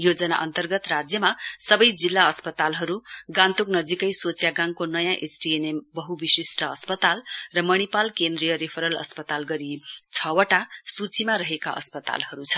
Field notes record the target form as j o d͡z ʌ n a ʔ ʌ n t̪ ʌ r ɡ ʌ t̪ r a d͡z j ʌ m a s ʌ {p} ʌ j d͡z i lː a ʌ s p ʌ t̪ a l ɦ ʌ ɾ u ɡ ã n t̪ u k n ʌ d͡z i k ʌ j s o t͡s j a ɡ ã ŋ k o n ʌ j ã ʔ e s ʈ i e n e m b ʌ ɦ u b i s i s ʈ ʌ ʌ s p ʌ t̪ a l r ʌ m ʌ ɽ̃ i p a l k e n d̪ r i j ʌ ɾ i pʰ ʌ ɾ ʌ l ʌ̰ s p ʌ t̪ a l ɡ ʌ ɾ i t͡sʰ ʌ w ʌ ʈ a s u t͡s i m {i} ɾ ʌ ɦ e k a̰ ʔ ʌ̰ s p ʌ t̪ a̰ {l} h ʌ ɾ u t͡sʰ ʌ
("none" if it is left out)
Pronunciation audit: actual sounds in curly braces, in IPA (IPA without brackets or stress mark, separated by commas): b, a, l